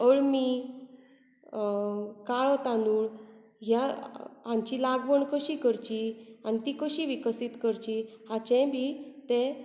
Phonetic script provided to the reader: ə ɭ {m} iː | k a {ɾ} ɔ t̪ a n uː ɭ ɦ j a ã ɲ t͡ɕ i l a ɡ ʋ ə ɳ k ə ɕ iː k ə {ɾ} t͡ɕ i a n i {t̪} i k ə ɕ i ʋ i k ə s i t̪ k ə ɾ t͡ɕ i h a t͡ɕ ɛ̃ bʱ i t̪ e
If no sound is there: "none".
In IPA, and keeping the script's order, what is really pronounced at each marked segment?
m, ɭ, ɾ, t̪

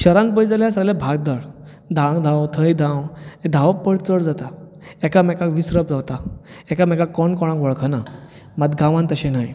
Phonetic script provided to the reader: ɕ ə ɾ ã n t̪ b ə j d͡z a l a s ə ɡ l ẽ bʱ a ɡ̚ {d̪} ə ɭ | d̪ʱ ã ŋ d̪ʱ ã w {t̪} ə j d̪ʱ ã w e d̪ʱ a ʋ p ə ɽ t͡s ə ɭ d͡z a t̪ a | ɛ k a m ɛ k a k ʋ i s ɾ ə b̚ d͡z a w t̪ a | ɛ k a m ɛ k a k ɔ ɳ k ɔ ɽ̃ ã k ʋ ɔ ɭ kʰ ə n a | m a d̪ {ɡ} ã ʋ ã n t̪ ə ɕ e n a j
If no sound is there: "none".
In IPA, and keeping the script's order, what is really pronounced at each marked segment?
d̪, t̪ʰ, ɡ

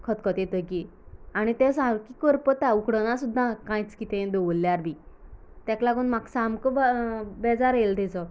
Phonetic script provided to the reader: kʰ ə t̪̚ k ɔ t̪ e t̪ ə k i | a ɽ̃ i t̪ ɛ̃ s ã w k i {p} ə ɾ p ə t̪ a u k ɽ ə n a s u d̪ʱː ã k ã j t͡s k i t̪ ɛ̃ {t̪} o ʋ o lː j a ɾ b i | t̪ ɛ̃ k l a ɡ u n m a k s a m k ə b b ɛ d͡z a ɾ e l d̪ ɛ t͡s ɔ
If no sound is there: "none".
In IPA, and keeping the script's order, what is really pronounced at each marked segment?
k, d̪

